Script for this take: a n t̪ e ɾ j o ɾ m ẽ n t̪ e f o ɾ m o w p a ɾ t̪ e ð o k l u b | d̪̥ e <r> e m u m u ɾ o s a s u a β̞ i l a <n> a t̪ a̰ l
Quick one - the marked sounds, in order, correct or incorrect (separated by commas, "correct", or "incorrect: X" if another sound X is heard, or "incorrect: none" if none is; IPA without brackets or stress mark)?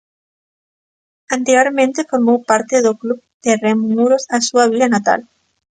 correct, correct